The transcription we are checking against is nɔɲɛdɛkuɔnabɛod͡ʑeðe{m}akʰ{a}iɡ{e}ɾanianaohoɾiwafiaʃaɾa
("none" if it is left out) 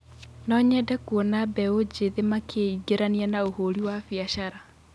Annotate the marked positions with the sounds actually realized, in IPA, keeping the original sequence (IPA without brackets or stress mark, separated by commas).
m, e, e